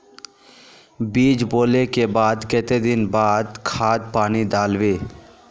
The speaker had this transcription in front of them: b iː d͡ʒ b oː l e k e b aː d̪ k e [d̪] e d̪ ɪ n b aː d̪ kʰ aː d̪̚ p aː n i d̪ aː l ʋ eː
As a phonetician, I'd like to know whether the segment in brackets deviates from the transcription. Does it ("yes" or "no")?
yes